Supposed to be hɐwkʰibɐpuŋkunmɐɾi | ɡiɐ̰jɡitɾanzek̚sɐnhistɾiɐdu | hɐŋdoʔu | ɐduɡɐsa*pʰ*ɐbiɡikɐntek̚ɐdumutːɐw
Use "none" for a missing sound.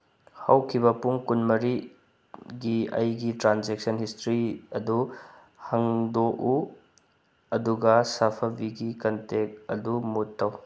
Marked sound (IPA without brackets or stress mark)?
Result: pʰ